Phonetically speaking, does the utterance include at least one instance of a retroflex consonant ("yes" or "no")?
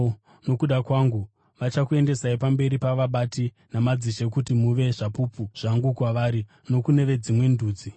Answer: yes